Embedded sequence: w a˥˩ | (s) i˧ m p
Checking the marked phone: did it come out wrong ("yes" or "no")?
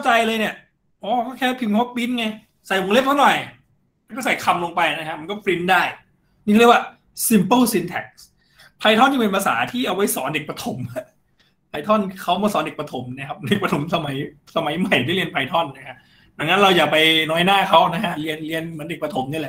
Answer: no